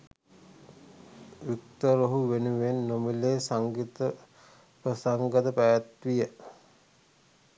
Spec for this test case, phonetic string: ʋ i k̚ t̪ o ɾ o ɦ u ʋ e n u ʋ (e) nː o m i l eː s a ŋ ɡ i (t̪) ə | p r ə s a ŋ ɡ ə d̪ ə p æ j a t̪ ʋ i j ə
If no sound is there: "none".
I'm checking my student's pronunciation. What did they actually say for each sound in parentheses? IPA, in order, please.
e, t̪

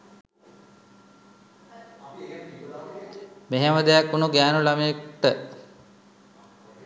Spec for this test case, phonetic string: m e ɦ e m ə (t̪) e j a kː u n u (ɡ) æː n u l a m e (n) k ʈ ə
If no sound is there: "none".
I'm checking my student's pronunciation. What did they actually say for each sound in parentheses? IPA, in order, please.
d̪, ɡ, none

